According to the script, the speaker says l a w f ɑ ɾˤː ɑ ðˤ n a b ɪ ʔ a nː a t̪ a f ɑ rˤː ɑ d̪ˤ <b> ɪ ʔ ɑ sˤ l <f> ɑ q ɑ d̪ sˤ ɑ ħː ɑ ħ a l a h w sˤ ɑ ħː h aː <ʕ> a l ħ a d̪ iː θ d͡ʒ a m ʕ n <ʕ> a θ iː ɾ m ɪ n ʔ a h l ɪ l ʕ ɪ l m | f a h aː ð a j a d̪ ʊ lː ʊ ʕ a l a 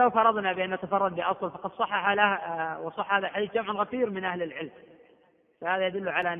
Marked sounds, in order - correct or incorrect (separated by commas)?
correct, correct, incorrect, incorrect